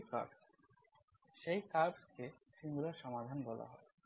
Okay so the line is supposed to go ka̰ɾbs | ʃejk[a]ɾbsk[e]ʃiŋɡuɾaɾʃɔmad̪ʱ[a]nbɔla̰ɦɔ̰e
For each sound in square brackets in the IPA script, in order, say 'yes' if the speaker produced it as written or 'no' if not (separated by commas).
yes, yes, yes